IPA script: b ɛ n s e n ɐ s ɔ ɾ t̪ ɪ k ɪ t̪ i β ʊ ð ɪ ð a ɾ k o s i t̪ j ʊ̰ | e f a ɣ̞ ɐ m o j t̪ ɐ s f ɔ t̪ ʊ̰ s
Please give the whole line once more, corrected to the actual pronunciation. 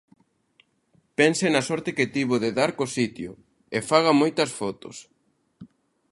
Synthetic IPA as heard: p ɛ n s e n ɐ s ɔ ɾ t̪ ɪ k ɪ t̪ i β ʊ ð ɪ ð a ɾ k o s i t̪ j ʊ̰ | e f a ɣ̞ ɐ m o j t̪ ɐ s f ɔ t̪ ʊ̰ s